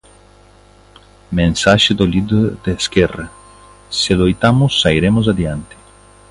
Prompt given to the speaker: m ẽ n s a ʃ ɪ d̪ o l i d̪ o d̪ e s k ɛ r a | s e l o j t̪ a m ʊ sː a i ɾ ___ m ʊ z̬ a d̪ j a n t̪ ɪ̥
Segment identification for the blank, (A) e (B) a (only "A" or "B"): A